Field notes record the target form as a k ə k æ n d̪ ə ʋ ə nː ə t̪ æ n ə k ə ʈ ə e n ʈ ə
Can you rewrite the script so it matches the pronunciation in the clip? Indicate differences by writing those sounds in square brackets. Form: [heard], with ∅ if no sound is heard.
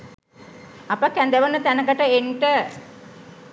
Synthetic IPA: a [p] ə k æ n d̪ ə ʋ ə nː ə t̪ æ n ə k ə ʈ ə e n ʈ ə